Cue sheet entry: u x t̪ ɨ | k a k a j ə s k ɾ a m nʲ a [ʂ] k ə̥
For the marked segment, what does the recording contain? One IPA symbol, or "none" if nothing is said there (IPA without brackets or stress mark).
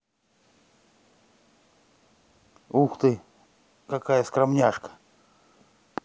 ʂ